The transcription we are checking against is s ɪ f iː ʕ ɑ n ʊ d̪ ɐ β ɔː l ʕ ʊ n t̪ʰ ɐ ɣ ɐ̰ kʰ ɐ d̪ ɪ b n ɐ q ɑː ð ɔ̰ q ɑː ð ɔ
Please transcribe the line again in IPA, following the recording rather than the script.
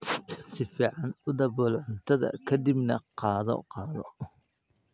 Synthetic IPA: s ɪ f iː ʕ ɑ n ʊ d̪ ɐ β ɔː l ʕ ʊ n t̪ʰ ɐ ð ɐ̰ kʰ ɐ d̪ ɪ b n ɐ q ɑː ð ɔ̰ q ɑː ð ɔ